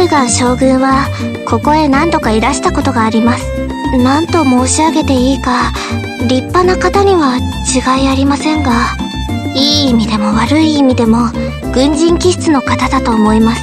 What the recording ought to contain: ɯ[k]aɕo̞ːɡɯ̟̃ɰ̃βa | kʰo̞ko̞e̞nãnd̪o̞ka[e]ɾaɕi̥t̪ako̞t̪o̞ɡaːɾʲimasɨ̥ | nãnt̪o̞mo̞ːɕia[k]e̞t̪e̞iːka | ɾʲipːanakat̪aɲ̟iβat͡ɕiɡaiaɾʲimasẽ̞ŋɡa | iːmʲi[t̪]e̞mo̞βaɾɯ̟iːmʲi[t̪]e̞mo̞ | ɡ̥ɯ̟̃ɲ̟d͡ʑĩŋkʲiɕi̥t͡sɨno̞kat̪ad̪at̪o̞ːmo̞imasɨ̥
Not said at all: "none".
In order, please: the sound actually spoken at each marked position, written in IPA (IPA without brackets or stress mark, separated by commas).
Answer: ɡ, i, ɡ, d̪, d̪